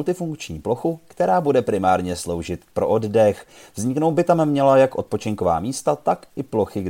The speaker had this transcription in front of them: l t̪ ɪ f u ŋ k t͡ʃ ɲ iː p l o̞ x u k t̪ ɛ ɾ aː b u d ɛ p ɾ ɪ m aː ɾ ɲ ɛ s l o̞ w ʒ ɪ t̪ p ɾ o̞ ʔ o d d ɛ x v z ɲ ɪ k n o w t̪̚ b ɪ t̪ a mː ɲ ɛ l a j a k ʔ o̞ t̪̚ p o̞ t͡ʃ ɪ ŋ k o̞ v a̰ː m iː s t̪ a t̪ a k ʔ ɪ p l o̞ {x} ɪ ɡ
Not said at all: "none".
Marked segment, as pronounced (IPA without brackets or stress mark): x